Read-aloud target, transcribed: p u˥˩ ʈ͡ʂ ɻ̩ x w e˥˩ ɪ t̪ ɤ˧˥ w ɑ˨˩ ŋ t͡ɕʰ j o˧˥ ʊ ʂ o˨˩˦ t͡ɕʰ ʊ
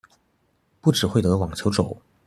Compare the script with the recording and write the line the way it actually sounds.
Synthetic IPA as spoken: p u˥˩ ʈ͡ʂ ɻ̩ x w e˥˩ ɪ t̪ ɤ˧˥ w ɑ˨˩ ŋ t͡ɕʰ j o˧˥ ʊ ʈ͡ʂ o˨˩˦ ʊ